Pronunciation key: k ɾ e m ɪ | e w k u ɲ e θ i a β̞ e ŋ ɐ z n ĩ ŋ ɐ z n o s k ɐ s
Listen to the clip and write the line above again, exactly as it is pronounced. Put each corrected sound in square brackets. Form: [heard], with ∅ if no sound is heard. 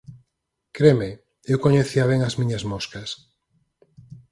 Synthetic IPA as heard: k ɾ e m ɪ | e w k [o] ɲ e θ i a β̞ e ŋ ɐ z [m] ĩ [ɲ] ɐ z [m] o s k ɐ s